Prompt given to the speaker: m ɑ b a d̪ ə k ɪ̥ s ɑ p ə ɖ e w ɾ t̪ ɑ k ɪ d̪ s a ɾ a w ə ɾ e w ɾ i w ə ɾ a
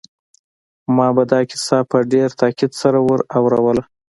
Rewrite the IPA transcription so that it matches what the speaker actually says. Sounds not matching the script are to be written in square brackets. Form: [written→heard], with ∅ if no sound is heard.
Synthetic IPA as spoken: m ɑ b a d̪ [ə→ɑ] k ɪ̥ s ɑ p ə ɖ e [w→∅] ɾ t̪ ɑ k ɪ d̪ s a ɾ a w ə ɾ [e→a] w ɾ [i→a] w ə [ɾ→l] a